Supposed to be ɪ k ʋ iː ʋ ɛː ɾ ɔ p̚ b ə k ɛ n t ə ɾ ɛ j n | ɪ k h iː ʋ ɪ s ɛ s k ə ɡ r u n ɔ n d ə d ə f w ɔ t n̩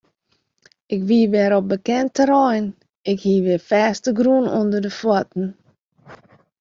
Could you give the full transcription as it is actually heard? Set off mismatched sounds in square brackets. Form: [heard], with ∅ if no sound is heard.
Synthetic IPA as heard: ɪ k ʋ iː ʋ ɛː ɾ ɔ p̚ b ə k ɛ n t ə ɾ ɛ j n | ɪ k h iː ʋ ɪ [f] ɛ s [t] ə ɡ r u n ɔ n d ə d ə f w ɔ t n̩